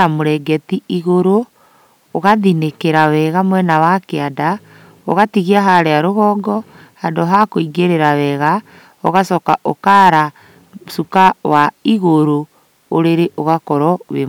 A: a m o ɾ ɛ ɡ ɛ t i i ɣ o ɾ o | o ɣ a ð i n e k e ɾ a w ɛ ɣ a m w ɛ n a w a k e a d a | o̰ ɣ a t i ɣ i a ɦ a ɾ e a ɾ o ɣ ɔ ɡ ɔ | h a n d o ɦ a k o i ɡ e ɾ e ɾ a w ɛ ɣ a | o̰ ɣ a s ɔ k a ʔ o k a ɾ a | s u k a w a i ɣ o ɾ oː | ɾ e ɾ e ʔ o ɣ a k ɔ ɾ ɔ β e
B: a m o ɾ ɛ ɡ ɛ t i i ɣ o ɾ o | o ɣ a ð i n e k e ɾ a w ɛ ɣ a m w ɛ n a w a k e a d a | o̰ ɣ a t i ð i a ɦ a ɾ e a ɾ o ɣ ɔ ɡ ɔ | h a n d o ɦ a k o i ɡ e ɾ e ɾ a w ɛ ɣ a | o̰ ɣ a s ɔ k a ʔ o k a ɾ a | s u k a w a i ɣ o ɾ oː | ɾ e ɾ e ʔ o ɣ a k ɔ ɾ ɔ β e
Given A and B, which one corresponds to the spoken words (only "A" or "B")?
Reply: A